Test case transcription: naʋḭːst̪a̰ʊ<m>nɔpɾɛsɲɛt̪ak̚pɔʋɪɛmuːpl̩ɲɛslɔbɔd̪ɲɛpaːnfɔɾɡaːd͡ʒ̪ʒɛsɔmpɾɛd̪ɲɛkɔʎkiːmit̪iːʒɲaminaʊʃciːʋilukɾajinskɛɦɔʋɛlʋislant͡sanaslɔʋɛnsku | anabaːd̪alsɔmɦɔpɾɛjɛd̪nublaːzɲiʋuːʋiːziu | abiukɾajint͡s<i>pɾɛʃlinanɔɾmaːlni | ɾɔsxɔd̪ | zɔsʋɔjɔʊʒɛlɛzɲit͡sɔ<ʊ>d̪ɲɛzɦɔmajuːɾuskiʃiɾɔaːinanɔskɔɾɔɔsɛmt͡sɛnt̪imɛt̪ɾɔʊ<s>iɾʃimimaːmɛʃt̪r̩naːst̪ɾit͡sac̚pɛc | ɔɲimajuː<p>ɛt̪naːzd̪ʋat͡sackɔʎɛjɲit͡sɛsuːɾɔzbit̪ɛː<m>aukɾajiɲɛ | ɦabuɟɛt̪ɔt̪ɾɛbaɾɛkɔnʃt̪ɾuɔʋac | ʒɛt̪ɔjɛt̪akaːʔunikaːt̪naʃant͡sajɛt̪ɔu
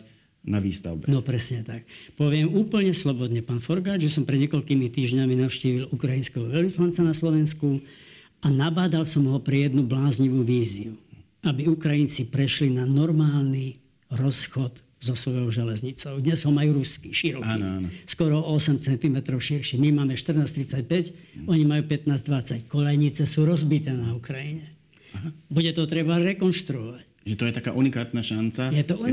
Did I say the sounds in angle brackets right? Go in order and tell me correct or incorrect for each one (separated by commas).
incorrect, correct, correct, incorrect, correct, incorrect